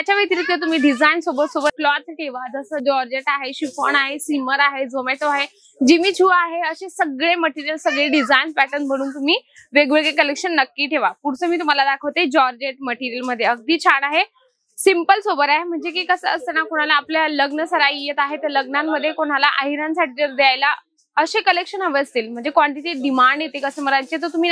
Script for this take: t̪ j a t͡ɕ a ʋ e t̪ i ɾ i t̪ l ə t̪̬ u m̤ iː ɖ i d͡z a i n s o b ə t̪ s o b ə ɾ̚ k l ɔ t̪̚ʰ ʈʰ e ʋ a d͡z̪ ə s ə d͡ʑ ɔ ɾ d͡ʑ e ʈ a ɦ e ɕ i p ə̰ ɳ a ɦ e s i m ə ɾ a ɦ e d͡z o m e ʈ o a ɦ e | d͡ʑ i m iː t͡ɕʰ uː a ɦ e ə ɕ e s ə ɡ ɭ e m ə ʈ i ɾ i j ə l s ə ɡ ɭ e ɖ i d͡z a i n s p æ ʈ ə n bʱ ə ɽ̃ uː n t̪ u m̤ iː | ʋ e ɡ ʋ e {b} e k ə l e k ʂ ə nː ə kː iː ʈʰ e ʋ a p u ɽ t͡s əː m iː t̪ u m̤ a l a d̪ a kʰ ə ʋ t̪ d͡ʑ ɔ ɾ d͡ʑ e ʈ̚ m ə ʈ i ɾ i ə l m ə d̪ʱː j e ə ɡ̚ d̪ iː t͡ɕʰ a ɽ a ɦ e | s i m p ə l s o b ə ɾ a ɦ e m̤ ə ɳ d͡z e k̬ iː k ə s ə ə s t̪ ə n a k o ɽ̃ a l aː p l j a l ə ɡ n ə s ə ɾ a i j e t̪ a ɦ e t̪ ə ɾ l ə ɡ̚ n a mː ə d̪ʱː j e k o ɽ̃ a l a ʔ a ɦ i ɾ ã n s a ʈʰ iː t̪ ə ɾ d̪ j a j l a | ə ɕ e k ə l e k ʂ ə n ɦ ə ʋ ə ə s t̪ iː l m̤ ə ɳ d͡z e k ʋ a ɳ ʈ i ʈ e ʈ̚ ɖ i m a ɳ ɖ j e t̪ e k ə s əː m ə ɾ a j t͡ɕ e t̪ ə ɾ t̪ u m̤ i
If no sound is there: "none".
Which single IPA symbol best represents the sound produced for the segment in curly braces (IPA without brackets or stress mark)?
ɡ